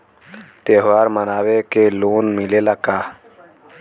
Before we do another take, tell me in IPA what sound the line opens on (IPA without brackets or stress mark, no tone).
t̪